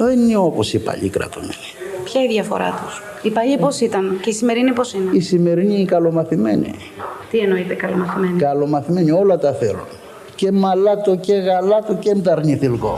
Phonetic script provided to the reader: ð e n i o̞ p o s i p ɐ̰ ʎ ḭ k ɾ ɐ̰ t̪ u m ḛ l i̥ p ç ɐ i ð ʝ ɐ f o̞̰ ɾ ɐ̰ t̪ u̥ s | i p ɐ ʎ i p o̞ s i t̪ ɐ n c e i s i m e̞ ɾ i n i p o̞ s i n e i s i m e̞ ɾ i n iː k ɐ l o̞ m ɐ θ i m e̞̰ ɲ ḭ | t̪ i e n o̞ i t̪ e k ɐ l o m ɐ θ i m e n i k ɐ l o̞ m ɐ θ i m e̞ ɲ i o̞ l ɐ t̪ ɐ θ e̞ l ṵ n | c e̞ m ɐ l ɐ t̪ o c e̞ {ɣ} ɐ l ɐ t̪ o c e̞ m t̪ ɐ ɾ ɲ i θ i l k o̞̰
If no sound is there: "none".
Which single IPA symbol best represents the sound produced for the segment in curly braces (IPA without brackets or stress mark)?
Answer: ɣ